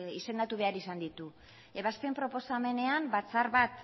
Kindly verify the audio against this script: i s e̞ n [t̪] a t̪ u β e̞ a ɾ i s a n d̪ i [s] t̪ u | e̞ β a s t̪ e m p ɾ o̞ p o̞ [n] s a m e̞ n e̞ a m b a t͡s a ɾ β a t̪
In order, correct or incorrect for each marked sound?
incorrect: d̪, incorrect: none, incorrect: none

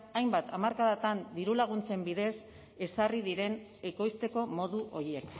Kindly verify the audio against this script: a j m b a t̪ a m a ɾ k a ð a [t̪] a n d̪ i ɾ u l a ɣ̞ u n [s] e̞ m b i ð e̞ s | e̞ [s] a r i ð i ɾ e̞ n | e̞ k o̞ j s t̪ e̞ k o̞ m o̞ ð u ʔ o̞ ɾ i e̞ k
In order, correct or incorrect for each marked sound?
correct, incorrect: t͡s, correct

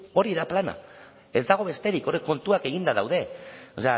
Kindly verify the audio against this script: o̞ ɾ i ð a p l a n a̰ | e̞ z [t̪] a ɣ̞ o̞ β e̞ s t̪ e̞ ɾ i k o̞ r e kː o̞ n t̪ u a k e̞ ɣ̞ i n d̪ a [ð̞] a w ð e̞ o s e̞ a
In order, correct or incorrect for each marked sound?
incorrect: d̪, correct

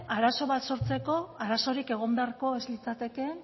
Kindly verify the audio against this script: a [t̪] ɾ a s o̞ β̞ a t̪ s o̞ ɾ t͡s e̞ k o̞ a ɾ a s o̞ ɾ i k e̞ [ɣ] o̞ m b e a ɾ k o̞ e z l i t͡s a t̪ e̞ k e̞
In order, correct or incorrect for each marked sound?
incorrect: none, correct

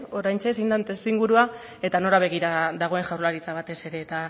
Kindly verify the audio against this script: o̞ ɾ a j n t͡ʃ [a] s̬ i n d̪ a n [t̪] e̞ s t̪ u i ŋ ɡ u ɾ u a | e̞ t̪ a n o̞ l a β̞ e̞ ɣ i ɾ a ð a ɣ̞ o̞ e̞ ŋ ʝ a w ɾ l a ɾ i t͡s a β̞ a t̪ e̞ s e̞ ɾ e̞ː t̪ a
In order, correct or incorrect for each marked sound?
incorrect: e, correct

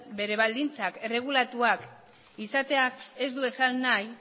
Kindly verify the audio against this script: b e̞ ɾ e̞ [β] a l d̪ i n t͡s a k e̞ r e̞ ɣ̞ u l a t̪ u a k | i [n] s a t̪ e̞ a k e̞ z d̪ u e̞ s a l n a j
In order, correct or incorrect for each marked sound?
correct, incorrect: none

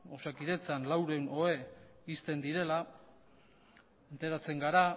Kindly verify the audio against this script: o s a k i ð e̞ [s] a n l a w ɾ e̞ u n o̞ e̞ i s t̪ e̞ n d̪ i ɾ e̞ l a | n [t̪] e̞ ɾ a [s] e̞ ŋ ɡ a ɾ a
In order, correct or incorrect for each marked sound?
incorrect: t͡s, correct, incorrect: t͡s

